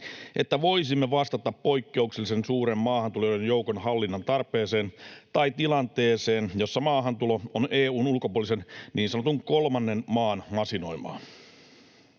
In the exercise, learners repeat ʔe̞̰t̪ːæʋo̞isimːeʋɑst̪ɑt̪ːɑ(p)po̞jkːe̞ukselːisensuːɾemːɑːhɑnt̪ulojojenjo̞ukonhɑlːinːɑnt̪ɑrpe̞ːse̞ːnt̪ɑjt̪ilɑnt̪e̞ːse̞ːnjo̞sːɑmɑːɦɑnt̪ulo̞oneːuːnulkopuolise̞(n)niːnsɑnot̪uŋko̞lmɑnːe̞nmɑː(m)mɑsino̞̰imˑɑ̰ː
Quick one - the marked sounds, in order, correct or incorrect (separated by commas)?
correct, correct, incorrect